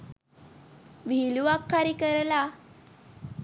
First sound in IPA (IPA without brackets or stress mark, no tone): ʋ